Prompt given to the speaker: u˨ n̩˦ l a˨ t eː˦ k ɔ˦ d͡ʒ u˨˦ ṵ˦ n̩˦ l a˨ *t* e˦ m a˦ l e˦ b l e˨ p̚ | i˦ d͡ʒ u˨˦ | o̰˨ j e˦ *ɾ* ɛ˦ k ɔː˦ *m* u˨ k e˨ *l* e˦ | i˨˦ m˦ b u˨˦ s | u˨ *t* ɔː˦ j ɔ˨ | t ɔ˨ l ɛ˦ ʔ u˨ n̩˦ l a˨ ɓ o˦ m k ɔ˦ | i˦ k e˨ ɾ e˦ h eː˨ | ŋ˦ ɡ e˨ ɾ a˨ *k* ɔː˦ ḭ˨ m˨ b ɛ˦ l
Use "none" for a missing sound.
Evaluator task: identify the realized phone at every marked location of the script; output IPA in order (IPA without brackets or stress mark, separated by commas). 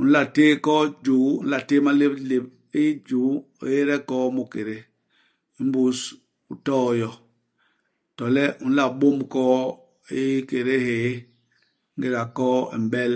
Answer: t, ɾ, m, ɾ, t, k